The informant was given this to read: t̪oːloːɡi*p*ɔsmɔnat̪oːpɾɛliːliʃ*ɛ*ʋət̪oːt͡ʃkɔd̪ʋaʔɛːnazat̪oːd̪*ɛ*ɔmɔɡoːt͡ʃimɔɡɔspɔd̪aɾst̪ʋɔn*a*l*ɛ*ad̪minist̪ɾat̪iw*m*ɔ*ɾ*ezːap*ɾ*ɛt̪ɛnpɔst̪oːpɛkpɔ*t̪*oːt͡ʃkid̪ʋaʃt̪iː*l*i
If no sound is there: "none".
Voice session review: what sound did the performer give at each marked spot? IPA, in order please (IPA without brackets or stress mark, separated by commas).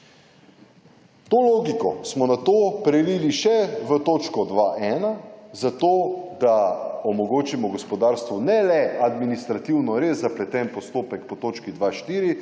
k, ɛ, a, ɛ, ɛ, n, ɾ, l, t̪, ɾ